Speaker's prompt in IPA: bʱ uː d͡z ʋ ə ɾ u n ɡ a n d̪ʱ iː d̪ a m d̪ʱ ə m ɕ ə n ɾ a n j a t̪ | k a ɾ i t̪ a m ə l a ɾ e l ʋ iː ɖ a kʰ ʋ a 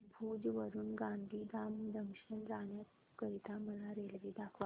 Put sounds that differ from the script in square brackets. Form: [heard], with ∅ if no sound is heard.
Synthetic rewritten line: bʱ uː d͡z ʋ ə ɾ [uː] n ɡ a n d̪ʱ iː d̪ a m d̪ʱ ə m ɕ ə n ɾ a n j a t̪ | k [ə] ɾ i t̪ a m ə l a ɾ e l ʋ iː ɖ a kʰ ʋ a